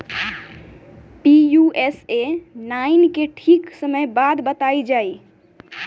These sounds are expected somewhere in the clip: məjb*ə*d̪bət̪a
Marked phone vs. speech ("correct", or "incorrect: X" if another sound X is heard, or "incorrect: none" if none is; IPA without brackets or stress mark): incorrect: a